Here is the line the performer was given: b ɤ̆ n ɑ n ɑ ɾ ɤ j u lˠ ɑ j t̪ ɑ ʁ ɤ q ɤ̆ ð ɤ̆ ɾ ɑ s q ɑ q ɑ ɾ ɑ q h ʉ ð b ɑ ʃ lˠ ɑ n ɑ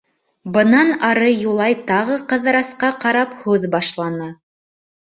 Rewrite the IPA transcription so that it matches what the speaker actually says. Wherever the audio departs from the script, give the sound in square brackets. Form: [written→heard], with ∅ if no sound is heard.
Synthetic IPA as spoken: b ɤ̆ n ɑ n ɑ ɾ ɤ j u lˠ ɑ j t̪ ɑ ʁ ɤ q ɤ̆ ð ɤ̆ ɾ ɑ s q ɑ q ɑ ɾ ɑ [q→p] h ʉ ð b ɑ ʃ lˠ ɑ n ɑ